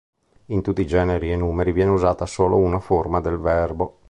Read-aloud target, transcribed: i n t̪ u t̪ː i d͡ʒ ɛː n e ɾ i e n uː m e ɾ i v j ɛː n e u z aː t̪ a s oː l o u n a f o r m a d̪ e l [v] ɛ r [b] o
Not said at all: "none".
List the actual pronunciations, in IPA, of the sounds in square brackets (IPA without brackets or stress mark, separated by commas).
v, b